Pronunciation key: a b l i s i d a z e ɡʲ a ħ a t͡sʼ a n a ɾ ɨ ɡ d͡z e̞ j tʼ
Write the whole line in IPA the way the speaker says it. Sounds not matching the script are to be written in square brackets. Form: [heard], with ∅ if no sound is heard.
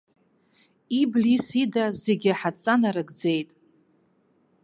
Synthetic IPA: [i] b l i s i d a z e ɡʲ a ħ a t͡sʼ a n a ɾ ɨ ɡ d͡z e̞ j tʼ